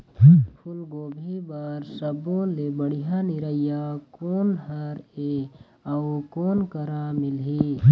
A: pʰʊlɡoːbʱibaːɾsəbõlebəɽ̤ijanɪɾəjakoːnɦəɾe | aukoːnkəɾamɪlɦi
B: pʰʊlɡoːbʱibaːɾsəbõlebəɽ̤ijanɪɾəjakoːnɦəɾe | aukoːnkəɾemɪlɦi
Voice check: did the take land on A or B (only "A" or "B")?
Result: A